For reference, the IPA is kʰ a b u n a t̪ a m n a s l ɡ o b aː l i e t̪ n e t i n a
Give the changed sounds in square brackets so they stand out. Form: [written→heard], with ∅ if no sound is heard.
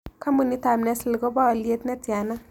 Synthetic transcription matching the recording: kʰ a [b→m] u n [a→i] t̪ a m n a s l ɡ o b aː l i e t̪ n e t [i→a] n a